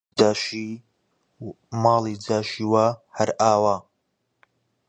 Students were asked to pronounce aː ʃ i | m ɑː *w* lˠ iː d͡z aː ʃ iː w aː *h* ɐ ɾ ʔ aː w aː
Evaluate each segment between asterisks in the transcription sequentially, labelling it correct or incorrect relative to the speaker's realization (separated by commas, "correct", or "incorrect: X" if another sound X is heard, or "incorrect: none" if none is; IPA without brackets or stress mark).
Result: incorrect: none, correct